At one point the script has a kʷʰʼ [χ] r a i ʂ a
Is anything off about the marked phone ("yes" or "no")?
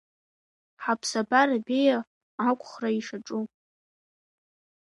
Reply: no